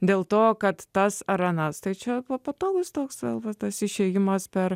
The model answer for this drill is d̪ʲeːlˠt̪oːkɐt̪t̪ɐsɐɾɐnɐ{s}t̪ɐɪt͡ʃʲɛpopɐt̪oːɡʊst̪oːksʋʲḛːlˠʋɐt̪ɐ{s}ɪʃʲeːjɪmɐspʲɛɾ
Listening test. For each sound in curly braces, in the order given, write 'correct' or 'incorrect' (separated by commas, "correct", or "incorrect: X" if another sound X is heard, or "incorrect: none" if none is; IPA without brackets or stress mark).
correct, correct